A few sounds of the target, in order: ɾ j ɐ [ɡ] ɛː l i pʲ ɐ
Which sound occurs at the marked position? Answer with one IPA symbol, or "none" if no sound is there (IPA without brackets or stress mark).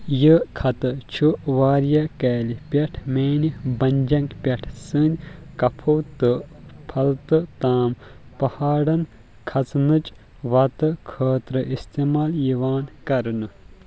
k